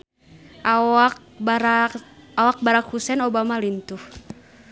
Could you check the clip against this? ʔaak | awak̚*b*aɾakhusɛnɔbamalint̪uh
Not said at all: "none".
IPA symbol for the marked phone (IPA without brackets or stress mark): b